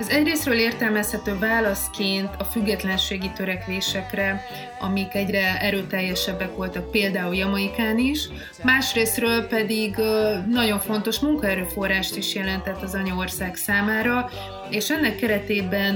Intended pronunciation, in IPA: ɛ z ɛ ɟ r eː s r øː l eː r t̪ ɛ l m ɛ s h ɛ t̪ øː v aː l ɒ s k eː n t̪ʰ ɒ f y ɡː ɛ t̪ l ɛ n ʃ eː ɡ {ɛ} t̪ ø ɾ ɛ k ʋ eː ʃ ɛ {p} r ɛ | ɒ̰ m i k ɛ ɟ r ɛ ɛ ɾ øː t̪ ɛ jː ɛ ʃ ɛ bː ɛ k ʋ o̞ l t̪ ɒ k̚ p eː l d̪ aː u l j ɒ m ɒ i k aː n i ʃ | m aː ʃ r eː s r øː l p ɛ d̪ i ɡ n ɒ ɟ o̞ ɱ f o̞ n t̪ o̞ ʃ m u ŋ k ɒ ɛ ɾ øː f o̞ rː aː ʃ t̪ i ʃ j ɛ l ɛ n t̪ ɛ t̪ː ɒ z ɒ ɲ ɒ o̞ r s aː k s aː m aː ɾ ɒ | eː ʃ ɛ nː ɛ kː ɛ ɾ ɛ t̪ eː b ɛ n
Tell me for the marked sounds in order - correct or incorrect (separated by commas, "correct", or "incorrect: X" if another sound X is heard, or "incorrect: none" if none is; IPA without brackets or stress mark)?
incorrect: i, incorrect: k